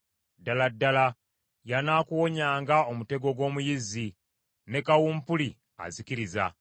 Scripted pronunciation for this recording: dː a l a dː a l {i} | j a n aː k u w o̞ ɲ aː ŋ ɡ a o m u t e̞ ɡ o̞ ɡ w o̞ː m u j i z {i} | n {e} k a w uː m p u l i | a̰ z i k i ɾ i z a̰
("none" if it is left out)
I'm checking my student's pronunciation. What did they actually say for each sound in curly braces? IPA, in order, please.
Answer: a, i, e

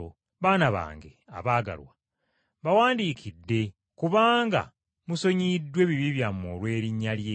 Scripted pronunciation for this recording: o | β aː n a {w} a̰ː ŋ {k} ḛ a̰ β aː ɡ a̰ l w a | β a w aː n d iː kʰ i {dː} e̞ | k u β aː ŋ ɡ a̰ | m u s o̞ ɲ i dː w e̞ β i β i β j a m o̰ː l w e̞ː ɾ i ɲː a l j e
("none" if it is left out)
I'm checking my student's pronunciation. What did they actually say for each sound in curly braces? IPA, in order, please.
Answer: β, ɡ, dː

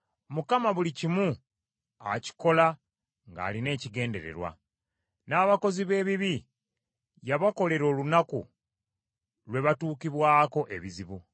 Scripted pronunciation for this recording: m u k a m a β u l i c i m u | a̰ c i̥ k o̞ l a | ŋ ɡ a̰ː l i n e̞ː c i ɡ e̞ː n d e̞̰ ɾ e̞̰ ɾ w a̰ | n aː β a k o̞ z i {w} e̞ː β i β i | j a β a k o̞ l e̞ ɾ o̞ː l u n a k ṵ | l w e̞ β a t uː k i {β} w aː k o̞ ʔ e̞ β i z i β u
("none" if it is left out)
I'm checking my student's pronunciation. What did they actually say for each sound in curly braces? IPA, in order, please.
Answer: β, β

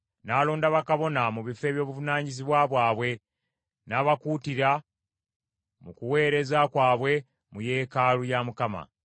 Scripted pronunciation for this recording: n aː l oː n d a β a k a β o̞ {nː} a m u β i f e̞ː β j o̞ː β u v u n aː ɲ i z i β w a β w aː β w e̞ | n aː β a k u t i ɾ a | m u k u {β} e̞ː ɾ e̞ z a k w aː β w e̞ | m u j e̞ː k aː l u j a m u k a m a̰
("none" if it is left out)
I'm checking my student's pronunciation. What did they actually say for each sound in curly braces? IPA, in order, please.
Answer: n, w

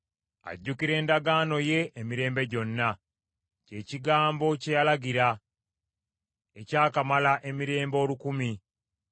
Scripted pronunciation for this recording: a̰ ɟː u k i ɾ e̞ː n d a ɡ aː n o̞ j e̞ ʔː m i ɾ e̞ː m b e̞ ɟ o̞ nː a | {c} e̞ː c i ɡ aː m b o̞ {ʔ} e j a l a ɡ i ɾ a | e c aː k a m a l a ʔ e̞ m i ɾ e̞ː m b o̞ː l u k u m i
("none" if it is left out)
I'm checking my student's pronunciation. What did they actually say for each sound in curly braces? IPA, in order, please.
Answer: c, c

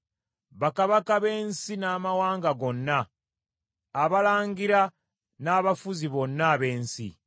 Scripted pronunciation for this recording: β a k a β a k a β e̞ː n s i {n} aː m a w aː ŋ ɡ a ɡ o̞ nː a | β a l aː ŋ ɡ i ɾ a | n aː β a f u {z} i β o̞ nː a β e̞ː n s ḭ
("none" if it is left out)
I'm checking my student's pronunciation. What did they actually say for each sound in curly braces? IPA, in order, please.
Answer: n, z

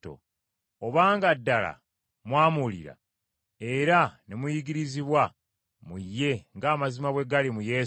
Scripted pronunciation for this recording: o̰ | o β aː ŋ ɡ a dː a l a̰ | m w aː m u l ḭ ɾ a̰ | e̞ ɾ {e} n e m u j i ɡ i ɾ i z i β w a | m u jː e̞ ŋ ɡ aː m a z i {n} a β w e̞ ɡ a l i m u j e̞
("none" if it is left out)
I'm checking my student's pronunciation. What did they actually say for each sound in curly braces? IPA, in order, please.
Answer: a, m

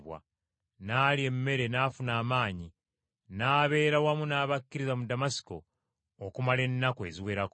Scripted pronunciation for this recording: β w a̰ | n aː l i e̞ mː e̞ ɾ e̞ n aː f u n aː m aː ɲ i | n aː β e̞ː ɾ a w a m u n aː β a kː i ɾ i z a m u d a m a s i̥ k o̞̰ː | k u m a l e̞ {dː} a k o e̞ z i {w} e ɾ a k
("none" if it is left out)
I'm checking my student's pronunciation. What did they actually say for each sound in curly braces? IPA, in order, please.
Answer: nː, w

